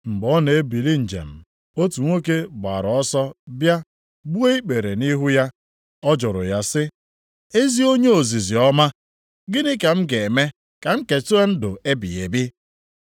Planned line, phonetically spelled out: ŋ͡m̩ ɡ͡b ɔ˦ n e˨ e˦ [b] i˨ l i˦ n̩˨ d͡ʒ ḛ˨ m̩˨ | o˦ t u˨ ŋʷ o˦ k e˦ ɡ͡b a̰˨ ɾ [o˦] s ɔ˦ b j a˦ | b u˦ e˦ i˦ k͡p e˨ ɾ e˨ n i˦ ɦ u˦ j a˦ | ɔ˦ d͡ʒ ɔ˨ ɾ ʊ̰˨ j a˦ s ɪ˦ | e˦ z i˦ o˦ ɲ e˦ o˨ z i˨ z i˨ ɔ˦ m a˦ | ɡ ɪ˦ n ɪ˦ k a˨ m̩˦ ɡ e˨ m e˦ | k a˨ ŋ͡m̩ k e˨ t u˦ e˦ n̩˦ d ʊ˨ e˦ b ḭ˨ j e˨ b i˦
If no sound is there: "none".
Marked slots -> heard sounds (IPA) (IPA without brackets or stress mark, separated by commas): b, ɔ˦